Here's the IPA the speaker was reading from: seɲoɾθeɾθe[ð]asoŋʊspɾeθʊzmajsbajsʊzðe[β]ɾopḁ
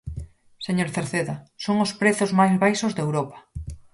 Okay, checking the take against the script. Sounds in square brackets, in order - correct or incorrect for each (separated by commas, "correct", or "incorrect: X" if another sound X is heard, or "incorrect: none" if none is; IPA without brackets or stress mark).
correct, incorrect: w